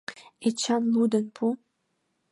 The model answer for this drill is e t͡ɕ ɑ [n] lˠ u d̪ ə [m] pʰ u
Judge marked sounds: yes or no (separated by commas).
yes, no